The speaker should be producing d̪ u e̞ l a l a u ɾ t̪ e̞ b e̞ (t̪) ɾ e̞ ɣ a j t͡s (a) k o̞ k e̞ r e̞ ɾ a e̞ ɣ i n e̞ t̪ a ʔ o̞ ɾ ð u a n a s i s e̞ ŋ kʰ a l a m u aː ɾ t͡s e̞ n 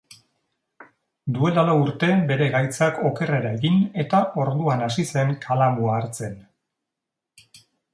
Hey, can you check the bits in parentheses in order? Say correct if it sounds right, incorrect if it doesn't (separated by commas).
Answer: incorrect, correct